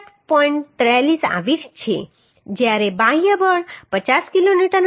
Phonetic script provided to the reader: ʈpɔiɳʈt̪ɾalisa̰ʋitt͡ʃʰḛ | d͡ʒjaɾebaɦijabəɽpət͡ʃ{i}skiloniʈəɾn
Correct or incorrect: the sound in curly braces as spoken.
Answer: incorrect: a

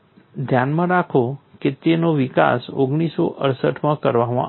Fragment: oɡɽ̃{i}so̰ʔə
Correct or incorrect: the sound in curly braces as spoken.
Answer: correct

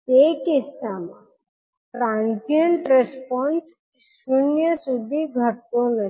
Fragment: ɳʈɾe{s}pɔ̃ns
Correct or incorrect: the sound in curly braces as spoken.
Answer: correct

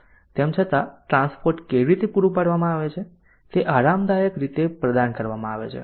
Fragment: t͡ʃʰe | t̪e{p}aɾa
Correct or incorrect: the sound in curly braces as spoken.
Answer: incorrect: ʔ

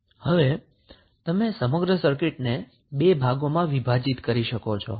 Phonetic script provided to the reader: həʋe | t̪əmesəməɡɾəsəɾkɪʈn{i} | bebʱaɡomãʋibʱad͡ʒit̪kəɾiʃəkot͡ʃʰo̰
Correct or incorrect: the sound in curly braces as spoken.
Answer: incorrect: e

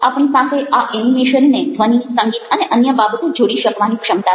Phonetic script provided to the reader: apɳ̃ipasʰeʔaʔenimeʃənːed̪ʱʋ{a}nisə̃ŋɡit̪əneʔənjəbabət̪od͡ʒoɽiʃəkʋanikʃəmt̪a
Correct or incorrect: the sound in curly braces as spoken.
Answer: incorrect: ə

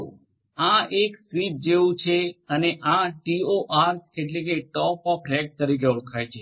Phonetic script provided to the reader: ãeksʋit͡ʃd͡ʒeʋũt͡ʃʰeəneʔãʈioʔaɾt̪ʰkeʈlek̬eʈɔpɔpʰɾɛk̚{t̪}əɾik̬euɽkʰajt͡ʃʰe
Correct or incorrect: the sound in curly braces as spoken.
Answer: correct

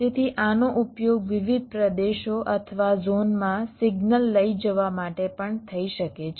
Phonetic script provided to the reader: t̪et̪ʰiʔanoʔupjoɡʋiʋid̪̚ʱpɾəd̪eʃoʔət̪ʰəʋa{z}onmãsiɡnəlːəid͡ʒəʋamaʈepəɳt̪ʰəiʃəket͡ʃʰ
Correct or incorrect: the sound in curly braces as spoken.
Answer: correct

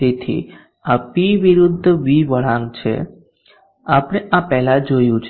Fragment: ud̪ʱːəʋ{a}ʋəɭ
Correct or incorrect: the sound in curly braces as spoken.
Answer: incorrect: i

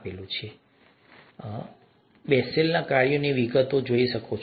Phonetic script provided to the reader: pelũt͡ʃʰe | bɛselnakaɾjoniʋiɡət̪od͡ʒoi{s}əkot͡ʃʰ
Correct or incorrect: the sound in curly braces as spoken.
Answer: incorrect: ʃ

